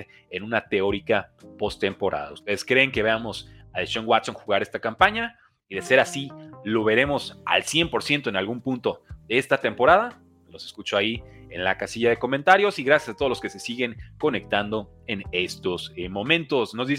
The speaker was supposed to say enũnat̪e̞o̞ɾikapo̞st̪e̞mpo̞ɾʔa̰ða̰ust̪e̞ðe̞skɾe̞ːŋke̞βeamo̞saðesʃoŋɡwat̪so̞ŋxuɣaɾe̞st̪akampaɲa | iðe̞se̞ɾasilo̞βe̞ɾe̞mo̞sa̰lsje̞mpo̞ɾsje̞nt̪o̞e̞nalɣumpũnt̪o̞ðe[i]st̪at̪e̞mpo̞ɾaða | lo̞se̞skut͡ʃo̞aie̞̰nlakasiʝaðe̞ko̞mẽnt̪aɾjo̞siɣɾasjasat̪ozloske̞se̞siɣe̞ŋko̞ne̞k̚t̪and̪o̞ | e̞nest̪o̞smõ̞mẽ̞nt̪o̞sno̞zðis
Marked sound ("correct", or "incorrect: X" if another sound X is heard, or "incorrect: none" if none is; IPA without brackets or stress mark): incorrect: e